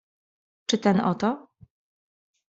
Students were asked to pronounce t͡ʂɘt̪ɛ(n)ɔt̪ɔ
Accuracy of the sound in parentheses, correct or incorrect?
correct